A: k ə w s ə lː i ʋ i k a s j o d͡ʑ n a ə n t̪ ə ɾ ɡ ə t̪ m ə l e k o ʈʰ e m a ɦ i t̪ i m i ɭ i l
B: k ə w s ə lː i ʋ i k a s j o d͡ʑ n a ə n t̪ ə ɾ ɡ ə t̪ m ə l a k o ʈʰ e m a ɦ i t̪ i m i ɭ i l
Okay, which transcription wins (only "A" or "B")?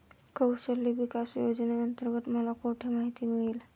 B